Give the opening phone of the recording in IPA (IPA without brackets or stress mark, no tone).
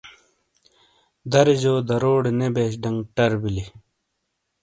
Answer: d̪